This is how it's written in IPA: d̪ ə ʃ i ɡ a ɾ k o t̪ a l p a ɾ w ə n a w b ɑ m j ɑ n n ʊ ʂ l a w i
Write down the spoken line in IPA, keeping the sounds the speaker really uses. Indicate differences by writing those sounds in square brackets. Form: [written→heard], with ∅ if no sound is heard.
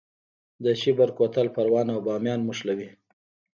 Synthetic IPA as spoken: d̪ ə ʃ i [ɡ→b] a ɾ k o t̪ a l p a ɾ w [ə→ɑ] n a w b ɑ m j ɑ n [n→m] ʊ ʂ l a w i